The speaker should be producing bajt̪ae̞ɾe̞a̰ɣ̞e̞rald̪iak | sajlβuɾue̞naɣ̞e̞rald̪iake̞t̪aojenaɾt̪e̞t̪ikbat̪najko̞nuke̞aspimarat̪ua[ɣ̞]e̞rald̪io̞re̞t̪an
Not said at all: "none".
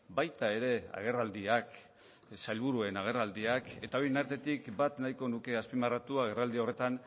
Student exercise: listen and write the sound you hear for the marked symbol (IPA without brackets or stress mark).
ɣ̞